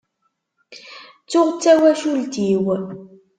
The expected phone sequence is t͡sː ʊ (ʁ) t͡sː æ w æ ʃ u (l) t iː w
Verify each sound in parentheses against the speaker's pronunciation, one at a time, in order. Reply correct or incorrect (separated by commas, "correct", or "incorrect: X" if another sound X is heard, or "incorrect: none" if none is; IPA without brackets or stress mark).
correct, correct